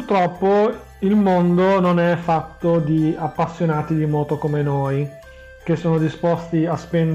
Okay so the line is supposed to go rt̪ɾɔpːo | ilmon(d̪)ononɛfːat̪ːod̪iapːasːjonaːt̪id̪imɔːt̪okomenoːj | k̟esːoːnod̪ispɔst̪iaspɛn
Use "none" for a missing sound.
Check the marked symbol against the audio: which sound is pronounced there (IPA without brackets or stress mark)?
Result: d̪